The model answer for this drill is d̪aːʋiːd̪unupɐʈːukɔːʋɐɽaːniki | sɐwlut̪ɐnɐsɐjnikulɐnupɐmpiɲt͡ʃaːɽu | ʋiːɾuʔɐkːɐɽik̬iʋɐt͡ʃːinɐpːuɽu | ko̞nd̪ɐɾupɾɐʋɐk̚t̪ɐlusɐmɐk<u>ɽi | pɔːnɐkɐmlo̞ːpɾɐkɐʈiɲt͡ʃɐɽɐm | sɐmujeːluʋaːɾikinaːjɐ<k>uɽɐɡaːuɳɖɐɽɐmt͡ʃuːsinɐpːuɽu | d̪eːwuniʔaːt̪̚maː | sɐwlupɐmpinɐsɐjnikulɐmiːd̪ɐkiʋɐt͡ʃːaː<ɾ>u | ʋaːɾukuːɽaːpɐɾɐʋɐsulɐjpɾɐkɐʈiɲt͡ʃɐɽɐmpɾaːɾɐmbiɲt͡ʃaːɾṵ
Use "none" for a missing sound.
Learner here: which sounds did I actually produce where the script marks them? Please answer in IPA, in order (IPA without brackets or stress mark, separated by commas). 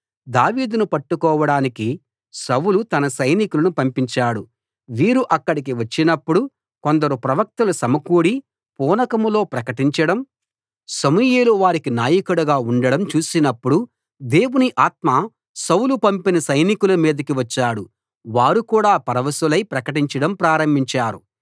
uː, k, ɽ